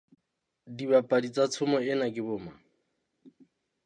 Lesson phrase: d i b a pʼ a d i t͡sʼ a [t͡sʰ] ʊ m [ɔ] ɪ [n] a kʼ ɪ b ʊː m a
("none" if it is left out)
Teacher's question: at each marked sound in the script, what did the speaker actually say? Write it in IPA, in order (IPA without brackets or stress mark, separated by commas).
t͡sʰ, ɔ, n